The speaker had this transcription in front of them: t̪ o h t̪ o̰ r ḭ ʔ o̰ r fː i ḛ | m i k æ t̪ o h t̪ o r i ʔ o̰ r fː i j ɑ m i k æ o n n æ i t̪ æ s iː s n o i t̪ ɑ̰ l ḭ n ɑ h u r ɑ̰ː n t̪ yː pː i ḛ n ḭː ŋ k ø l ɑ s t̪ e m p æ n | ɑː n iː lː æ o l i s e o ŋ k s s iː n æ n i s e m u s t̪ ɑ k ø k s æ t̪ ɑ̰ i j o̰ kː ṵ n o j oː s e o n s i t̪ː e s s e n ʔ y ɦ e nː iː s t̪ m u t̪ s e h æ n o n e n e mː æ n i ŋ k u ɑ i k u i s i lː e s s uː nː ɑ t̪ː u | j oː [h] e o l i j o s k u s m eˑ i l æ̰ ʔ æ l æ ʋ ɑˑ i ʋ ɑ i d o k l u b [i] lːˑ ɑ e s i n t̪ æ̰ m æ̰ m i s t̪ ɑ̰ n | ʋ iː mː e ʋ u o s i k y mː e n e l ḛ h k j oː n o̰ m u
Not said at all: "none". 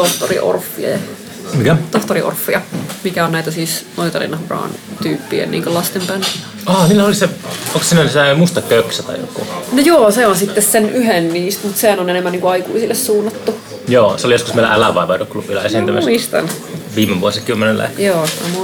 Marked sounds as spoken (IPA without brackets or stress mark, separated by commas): s, i